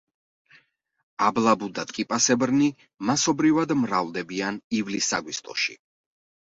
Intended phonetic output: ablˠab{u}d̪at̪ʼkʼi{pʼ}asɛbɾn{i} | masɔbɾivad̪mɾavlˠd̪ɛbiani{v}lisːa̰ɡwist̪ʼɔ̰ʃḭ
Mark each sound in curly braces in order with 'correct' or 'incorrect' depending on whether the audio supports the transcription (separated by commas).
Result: correct, correct, correct, correct